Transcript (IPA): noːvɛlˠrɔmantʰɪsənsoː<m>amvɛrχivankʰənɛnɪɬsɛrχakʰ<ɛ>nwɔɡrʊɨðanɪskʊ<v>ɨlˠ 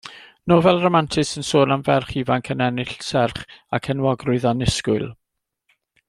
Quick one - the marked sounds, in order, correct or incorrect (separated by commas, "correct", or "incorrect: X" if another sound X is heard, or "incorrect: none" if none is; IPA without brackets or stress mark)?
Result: incorrect: n, correct, incorrect: none